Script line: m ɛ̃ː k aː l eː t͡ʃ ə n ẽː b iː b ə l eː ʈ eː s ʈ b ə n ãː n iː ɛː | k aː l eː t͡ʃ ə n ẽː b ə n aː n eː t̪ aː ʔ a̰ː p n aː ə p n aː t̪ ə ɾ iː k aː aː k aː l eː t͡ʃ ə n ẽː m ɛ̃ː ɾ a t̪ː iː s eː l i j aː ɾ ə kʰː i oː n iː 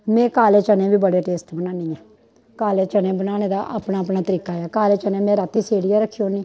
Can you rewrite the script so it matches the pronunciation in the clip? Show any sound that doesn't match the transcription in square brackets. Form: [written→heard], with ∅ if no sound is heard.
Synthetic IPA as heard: m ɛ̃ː k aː l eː t͡ʃ ə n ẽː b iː b ə [l→ɽ] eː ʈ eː s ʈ b ə n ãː n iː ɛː | k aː l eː t͡ʃ ə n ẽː b ə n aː n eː [t̪→d̪] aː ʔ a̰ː p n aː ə p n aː t̪ ə ɾ iː k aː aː k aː l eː t͡ʃ ə n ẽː m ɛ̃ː ɾ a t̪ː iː s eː [l→ɽ] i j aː ɾ ə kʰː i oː n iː